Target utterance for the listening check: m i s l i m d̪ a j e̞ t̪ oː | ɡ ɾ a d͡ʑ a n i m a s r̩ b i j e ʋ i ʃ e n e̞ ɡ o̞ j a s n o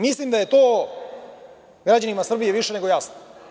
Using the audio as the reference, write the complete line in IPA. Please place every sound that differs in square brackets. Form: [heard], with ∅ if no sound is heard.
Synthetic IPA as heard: m i s l i m d̪ a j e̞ t̪ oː | ɡ ɾ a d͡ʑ a n i m a s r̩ b i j e ʋ i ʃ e n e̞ ɡ o̞ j a s n o